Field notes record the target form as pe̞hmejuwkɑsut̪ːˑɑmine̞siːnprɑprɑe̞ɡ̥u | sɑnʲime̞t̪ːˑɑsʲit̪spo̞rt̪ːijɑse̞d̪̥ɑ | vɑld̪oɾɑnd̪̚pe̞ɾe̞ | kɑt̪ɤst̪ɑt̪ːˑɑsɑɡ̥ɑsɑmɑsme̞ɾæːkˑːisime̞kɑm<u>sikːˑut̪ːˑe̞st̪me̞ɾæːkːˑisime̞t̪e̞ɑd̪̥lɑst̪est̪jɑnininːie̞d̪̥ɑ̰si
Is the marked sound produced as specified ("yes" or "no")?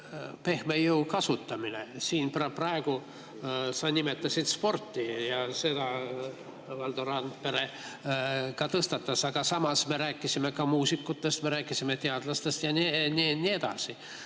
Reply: no